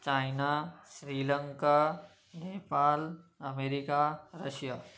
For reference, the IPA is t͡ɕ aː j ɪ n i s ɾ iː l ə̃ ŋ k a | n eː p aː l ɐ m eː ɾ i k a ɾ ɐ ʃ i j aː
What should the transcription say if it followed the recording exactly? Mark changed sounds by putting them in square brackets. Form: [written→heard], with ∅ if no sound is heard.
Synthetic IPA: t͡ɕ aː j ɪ n [i→a] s ɾ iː l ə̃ ŋ k a | n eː p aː l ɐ m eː ɾ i k a ɾ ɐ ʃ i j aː

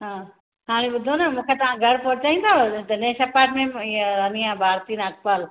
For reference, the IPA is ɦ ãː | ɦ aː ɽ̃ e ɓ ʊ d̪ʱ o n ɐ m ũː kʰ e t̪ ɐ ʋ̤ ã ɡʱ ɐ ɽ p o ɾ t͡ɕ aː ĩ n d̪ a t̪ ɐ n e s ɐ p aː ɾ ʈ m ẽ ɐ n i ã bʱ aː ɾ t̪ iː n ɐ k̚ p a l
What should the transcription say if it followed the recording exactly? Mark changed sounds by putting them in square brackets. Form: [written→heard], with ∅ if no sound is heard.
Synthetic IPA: ɦ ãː | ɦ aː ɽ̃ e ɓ ʊ d̪ʱ o n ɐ m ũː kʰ e t̪ ɐ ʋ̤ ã ɡʱ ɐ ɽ p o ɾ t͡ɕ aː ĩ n d̪ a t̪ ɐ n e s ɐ p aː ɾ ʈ m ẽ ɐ n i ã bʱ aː ɾ t̪ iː n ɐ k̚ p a l

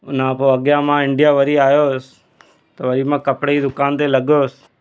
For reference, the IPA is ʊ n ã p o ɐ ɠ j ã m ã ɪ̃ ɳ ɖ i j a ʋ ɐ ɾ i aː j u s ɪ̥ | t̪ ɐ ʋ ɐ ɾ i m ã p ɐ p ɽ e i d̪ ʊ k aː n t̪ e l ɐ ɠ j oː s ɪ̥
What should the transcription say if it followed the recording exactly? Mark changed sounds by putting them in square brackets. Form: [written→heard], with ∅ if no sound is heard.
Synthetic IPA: ʊ n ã p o ɐ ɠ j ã m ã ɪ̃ ɳ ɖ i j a ʋ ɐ ɾ i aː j [u→o] s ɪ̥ | t̪ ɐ ʋ ɐ ɾ i m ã [p→k] ɐ p ɽ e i d̪ ʊ k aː n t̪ e l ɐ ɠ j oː s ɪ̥

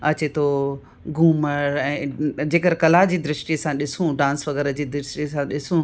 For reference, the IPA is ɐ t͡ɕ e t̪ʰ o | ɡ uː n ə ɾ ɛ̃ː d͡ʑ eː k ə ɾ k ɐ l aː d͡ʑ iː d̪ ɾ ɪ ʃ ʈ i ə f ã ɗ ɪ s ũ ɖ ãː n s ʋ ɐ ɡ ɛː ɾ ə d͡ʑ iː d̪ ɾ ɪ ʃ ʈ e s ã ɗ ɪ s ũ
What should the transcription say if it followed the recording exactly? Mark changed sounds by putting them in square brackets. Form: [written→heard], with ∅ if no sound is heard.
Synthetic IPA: ɐ t͡ɕ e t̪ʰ o | ɡ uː [n→m] ə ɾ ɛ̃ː d͡ʑ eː k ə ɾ k ɐ l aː d͡ʑ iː d̪ ɾ ɪ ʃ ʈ i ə [f→s] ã ɗ ɪ s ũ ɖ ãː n s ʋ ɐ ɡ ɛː ɾ ə d͡ʑ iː d̪ ɾ ɪ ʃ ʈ [e→i] s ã ɗ ɪ s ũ

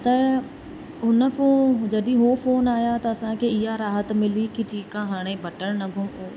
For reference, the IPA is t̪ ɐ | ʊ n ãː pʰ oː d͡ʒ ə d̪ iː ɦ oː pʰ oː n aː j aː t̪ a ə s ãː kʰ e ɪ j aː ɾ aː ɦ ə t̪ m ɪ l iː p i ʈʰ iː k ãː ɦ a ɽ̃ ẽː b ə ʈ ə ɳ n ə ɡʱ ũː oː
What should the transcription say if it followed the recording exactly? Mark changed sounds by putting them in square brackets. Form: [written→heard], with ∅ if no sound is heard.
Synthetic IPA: t̪ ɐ | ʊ n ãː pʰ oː d͡ʒ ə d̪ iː ɦ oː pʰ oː n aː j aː t̪ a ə s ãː [kʰ→k] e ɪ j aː ɾ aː ɦ ə t̪ m ɪ l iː [p→k] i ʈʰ iː k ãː ɦ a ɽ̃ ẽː b ə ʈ ə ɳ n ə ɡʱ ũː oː

